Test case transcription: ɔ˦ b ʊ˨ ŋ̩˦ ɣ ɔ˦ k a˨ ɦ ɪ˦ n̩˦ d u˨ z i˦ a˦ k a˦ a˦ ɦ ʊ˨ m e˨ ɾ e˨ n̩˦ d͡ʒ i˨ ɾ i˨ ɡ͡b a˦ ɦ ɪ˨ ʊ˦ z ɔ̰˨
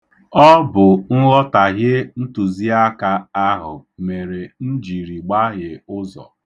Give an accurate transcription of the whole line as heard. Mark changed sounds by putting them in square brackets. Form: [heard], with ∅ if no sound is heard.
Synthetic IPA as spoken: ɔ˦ b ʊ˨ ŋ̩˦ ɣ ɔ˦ [t] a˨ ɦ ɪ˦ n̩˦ [t] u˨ z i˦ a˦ k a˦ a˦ ɦ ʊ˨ m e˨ ɾ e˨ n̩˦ d͡ʒ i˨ ɾ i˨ ɡ͡b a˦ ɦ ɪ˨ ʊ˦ z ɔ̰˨